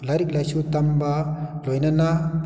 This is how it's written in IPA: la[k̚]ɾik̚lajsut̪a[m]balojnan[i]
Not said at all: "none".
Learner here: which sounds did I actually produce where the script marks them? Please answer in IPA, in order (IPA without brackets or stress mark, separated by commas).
none, m, a